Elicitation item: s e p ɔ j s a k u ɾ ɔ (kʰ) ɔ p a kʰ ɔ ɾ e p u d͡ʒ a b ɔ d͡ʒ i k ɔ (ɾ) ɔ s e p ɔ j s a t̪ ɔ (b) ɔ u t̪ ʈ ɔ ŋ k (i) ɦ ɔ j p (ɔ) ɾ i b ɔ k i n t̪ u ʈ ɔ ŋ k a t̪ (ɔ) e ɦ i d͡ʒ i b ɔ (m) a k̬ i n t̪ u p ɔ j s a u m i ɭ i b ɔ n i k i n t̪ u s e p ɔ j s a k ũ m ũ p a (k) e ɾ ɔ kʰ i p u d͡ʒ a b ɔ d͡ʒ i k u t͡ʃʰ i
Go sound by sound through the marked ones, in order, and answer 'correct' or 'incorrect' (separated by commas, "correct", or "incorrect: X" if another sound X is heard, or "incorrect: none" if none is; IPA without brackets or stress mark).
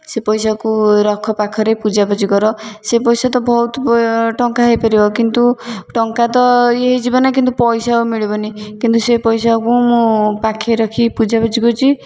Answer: correct, correct, correct, incorrect: a, correct, correct, incorrect: n, incorrect: kʰ